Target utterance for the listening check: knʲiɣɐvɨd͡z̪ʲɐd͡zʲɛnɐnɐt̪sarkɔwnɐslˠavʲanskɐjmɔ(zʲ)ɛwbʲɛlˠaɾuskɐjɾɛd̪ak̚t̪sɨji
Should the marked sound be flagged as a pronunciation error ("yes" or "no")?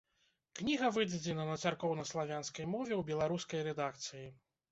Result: yes